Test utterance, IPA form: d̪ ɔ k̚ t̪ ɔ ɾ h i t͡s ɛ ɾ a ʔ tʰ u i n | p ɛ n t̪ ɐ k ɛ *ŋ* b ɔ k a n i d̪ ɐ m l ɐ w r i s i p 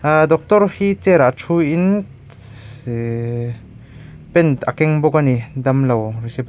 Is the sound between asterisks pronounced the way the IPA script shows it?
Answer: yes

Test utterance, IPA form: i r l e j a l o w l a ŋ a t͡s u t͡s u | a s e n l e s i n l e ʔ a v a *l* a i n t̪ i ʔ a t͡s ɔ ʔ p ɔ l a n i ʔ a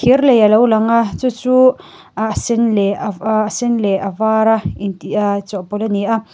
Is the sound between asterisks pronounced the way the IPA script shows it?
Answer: no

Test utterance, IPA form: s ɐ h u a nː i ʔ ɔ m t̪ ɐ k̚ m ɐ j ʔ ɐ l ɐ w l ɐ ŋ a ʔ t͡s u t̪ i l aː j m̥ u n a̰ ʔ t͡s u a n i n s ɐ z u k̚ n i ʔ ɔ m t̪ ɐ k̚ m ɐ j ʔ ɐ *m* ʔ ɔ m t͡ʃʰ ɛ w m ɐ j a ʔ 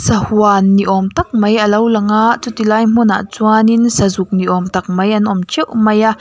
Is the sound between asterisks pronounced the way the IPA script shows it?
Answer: no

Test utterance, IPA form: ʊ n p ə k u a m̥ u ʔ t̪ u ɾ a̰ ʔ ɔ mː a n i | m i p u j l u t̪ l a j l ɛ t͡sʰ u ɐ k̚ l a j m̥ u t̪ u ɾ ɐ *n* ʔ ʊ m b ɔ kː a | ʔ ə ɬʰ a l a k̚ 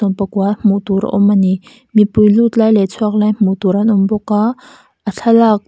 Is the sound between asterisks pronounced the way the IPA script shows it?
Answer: yes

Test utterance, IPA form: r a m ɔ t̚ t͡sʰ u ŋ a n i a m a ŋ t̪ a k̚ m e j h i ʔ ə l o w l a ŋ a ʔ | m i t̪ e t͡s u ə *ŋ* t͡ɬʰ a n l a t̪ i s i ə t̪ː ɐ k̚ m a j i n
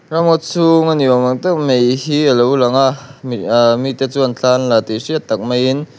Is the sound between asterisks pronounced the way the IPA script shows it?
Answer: no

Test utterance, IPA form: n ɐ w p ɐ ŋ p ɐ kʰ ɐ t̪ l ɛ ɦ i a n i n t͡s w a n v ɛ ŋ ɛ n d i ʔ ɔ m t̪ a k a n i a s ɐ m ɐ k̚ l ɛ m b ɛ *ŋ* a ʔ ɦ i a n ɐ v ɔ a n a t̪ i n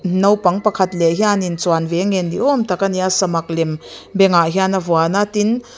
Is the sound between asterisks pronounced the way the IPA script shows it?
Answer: yes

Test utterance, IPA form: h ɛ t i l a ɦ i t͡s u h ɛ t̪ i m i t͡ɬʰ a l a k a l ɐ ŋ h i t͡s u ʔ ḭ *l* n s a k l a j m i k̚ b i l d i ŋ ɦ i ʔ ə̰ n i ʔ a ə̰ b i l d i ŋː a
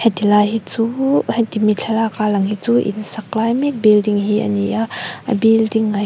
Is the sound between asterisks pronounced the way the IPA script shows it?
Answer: no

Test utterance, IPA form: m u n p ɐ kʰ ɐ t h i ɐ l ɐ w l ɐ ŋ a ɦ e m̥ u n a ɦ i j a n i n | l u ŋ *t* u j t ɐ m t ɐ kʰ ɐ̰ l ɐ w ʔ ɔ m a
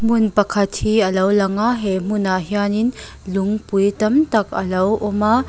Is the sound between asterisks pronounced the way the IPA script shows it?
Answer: no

